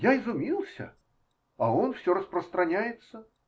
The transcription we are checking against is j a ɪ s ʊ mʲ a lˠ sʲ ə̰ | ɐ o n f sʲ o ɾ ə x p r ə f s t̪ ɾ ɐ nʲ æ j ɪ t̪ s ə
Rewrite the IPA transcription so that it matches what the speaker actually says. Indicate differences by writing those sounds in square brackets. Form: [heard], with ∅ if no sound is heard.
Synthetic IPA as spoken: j a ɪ [z] ʊ mʲ [i] lˠ sʲ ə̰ | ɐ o n f sʲ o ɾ ə [s] p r ə [∅] s t̪ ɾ ɐ nʲ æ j ɪ t̪ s ə